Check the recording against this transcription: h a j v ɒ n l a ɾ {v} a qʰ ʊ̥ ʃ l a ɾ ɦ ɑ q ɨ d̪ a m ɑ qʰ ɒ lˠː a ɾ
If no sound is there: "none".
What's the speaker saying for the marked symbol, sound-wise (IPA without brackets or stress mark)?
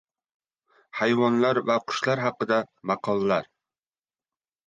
v